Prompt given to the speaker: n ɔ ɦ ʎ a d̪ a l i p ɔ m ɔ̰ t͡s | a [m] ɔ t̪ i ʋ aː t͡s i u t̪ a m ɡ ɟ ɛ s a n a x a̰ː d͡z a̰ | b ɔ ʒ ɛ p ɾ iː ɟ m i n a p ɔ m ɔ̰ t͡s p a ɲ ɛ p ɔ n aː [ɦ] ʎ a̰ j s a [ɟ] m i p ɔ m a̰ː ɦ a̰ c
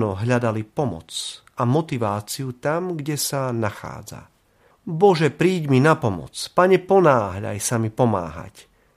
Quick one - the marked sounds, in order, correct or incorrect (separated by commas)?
correct, correct, incorrect